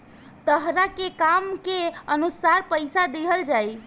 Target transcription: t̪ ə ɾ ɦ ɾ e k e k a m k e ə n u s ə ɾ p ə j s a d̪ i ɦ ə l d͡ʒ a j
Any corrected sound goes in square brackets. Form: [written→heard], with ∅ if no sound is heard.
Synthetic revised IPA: t̪ ə [ɾ→∅] ɦ ɾ [e→a] k e k a m k e ə n u s [ə→a] ɾ p ə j s a d̪ [i→e] ɦ ə l d͡ʒ a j